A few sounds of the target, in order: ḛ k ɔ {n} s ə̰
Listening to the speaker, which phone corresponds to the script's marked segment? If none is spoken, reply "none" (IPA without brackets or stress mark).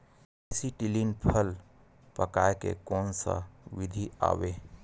n